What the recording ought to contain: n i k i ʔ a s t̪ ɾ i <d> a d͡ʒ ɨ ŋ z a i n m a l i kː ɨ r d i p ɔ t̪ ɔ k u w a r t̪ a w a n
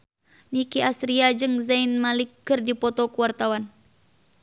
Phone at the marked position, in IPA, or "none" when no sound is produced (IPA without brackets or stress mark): none